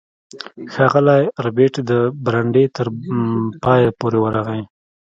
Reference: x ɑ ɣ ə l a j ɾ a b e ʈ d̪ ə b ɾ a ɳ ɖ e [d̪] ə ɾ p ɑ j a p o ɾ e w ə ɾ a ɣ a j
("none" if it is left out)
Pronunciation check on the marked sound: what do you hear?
t̪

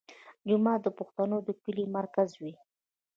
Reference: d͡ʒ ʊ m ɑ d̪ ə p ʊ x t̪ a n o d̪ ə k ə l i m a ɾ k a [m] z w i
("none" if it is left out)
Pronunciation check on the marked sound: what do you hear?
none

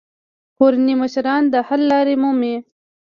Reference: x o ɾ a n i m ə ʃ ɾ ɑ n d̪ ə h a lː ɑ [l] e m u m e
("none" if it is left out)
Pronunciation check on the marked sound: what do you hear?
ɾ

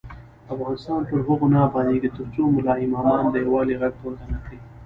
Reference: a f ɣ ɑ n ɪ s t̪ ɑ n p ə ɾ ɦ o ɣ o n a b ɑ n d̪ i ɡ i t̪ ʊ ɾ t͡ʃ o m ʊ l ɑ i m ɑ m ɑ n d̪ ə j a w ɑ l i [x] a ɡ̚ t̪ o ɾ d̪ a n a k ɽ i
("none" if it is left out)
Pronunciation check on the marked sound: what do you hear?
ɣ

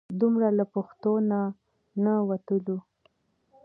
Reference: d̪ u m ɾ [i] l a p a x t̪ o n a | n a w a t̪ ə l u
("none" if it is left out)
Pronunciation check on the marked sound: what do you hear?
a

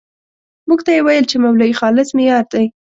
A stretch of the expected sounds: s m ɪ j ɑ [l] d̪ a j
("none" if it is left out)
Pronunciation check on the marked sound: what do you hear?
ɾ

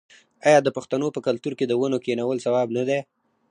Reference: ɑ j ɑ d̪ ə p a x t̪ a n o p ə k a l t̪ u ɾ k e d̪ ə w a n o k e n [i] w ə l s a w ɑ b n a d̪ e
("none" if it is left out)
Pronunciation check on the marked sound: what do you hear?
a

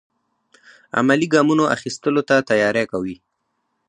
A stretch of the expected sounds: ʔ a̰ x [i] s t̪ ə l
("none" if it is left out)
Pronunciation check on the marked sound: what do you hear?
i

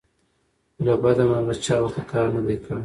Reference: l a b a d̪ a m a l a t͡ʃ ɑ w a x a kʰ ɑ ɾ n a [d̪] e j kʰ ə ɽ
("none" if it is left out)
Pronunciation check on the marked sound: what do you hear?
d̪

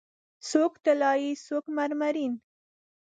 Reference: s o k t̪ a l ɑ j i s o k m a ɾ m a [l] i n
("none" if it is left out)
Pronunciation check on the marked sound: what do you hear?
ɾ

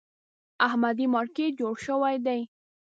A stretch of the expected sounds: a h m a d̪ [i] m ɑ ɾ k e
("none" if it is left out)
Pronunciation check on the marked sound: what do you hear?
i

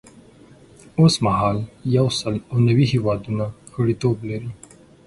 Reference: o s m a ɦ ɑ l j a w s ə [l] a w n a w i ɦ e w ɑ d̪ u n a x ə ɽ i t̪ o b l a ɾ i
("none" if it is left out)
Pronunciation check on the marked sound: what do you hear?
l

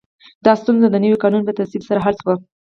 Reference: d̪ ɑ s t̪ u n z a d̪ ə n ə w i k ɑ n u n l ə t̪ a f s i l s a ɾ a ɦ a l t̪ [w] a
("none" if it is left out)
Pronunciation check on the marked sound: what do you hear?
w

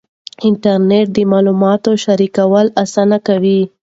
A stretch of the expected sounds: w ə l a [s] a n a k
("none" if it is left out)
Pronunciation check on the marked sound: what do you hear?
s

